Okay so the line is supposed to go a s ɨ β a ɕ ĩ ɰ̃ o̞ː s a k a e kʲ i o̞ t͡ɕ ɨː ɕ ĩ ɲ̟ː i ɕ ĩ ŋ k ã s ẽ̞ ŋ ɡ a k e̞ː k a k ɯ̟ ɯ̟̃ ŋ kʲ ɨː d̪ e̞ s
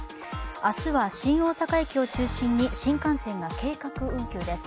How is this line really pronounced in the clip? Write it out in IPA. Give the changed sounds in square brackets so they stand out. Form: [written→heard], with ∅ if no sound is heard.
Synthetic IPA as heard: a s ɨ β a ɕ ĩ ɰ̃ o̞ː s a k a e kʲ i o̞ t͡ɕ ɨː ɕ ĩ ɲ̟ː i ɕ ĩ ŋ k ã s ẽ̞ ŋ ɡ a k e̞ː k a k ɯ̟ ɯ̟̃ ŋ kʲ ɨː d̪ e̞ s